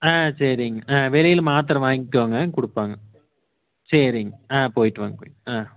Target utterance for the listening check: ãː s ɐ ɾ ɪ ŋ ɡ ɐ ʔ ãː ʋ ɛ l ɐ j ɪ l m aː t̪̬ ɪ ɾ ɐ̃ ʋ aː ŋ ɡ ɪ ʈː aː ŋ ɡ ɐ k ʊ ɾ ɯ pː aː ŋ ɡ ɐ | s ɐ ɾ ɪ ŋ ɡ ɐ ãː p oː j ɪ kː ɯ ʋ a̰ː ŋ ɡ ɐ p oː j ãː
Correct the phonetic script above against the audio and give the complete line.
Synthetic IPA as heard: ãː s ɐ ɾ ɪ ŋ ɡ ɐ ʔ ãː ʋ ɛ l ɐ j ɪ l m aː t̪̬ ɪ ɾ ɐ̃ ʋ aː ŋ ɡ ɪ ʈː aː ŋ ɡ ɐ k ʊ ɽ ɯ pː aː ŋ ɡ ɐ | s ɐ ɾ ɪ ŋ ɡ ɐ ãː p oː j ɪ ʈː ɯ ʋ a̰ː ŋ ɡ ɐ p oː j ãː

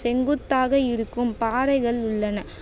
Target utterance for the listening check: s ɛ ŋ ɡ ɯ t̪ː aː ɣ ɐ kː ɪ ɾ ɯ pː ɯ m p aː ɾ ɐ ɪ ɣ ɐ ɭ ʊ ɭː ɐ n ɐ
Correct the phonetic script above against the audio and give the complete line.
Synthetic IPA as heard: s ɛ ŋ ɡ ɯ t̪ː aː ɣ ɐ ɪ ɾ ɯ kː ɯ m p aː ɾ ɐ ɪ ɣ ɐ ɭ ʊ ɭː ɐ n ɐ

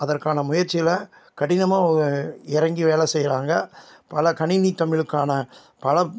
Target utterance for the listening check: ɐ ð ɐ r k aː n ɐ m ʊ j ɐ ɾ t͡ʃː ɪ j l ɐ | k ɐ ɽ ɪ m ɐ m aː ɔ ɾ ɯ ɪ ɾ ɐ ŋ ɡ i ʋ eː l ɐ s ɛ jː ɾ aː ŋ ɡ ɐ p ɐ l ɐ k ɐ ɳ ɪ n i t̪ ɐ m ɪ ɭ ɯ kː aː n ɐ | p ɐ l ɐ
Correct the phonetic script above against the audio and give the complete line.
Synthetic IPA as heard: ɐ ð ɐ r k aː n ɐ m ʊ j ɐ ɾ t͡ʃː ɪ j l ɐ | k ɐ ɽ ɪ n ɐ m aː ɔ ɾ ɯ ɪ ɾ ɐ ŋ ɡ i ʋ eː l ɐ s ɛ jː ɾ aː ŋ ɡ ɐ p ɐ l ɐ k ɐ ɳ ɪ n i t̪ ɐ m ɪ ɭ ɯ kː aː n ɐ | p ɐ l ɐ

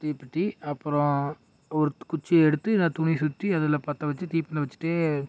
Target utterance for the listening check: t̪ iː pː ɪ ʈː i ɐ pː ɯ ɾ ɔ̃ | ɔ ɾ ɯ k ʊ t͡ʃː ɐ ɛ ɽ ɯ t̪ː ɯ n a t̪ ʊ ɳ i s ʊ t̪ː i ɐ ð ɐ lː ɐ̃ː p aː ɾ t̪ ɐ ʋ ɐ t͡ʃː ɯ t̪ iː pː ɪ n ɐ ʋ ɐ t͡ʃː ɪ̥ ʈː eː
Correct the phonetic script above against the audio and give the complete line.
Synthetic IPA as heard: t̪ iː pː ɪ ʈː i ɐ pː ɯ ɾ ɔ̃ | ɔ ɾ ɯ k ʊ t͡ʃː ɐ ɛ ɽ ɯ t̪ː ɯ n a t̪ ʊ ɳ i s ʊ t̪ː i ɐ ð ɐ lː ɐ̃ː p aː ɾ t̪ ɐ ʋ ɐ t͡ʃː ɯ t̪ iː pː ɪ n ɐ ʋ ɐ t͡ʃː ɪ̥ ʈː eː

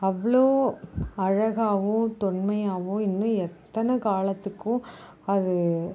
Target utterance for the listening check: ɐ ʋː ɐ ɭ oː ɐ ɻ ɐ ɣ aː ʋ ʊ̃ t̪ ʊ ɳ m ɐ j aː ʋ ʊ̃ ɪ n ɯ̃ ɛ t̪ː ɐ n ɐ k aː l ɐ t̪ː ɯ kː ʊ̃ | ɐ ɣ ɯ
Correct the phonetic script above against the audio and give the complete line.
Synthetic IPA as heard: ɐ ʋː ɐ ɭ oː ɐ ɻ ɐ ɣ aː ʋ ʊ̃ t̪ ʊ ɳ m ɐ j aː ʋ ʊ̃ ɪ nː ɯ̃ ɛ t̪ː ɐ n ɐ k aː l ɐ t̪ː ɯ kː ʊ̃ | ɐ ð ɯ

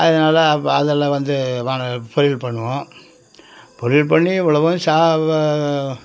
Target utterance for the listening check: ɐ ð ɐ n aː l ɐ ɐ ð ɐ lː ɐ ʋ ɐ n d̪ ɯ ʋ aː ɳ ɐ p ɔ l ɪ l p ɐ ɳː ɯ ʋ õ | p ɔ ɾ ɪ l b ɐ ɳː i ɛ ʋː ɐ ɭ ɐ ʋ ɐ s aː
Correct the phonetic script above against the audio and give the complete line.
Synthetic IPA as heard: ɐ ð ɐ n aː l ɐ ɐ ð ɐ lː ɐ ʋ ɐ n d̪ ɯ ʋ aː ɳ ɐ p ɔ ɾ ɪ l p ɐ ɳː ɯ ʋ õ | p ɔ ɾ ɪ l p ɐ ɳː i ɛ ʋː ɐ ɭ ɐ ʋ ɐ s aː

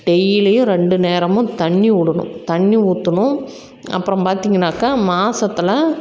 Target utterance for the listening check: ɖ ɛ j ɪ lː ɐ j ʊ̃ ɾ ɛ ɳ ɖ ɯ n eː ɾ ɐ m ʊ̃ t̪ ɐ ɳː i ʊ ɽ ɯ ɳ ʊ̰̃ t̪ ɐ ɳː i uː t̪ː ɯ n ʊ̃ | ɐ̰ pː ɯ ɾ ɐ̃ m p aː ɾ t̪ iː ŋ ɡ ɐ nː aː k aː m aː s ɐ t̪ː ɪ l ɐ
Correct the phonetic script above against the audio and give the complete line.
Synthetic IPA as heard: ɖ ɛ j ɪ l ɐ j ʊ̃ ɾ ɛ ɳ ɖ ɯ n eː ɾ ɐ m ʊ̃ t̪ ɐ ɳː i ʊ ɽ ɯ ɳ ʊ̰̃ t̪ ɐ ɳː i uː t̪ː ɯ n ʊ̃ | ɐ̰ pː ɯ ɾ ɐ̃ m p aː ɾ t̪ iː ŋ ɡ ɐ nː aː k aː m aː s ɐ t̪ː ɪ l ɐ

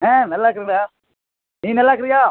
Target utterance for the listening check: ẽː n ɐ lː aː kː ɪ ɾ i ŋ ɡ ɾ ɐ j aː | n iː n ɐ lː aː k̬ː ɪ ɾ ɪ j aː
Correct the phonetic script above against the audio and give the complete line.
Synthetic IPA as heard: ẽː n ɐ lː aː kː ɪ ɾ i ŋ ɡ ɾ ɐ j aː | n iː n ɐ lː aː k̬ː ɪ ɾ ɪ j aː

